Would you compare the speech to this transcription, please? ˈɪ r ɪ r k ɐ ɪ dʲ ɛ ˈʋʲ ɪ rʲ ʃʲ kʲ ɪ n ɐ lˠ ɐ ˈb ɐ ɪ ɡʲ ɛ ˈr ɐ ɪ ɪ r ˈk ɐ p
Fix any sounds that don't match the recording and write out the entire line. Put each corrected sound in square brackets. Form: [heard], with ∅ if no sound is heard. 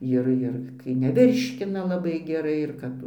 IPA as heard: ˈɪ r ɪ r k ɐ ɪ [nʲ] ɛ ˈʋʲ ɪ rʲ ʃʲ kʲ ɪ n ɐ lˠ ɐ ˈb ɐ ɪ ɡʲ ɛ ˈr ɐ ɪ ɪ r ˈk ɐ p